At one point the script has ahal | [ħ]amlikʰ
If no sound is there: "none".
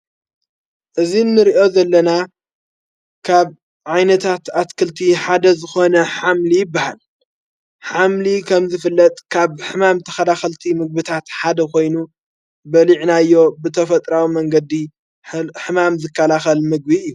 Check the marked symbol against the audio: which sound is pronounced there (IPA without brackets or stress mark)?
ħ